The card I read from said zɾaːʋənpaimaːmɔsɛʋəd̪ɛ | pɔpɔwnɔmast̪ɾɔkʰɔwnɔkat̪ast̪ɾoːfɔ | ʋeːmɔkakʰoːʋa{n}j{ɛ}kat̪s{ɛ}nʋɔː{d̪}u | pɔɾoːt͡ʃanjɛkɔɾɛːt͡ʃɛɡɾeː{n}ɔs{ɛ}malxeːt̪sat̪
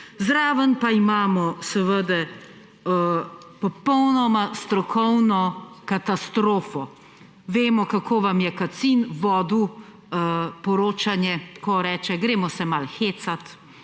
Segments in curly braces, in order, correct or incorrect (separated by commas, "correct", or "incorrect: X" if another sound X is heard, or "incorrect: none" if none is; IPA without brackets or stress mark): incorrect: m, correct, incorrect: i, correct, incorrect: m, correct